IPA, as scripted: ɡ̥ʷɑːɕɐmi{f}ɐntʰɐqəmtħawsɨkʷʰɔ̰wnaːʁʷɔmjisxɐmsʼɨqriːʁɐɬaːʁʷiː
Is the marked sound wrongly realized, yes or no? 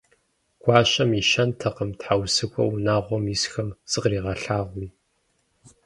yes